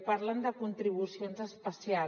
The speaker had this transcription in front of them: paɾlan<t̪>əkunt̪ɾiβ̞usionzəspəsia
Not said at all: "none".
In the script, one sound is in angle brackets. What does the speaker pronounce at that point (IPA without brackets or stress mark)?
d̪